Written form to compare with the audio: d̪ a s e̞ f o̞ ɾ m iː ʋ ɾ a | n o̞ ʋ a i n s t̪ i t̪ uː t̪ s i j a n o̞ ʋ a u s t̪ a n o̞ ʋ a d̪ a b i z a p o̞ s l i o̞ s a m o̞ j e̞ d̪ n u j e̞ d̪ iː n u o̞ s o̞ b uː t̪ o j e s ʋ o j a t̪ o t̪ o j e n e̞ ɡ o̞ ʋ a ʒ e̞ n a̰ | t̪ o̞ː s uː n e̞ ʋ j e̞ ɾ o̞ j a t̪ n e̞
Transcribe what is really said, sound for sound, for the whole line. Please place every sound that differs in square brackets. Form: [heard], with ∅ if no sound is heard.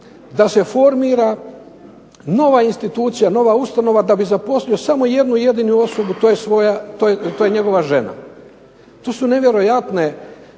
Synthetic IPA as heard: d̪ a s e̞ f o̞ ɾ m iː [∅] ɾ a | n o̞ ʋ a i n s t̪ i t̪ uː t̪ s i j a n o̞ ʋ a u s t̪ a n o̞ ʋ a d̪ a b i z a p o̞ s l i o̞ s a m o̞ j e̞ d̪ n u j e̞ d̪ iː n u o̞ s o̞ b [u] t̪ o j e s ʋ o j a t̪ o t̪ o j e [ɲ] e̞ ɡ o̞ ʋ a ʒ e̞ n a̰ | t̪ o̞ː s [u] n e̞ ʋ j e̞ ɾ o̞ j a t̪ n e̞